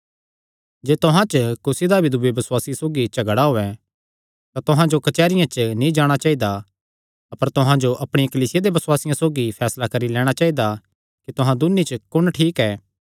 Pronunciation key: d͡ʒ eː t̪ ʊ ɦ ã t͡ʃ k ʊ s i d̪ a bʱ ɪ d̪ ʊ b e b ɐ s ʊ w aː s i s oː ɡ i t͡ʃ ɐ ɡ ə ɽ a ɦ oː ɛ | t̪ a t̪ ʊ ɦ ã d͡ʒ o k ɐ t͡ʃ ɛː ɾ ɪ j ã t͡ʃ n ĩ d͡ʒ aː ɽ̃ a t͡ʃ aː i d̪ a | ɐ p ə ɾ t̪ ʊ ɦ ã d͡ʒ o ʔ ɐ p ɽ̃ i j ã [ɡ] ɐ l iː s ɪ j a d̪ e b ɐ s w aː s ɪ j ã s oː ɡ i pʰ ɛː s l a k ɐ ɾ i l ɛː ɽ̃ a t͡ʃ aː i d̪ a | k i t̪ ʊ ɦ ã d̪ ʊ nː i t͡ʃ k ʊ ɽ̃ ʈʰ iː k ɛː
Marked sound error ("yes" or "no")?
yes